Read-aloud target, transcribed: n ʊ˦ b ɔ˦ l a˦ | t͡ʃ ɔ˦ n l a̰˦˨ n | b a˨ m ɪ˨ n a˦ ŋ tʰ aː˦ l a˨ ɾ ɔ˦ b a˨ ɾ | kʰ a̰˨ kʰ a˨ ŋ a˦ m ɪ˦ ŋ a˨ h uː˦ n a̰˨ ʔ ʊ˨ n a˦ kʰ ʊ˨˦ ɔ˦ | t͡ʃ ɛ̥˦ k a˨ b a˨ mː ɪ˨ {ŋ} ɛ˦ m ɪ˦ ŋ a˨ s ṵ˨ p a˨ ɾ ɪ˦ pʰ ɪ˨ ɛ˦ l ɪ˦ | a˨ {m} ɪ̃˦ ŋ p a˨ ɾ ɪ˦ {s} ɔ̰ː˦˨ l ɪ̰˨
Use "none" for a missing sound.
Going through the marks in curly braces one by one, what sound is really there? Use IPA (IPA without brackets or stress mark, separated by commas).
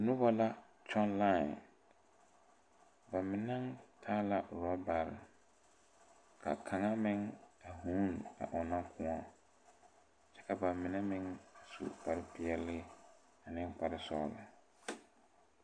n, n, s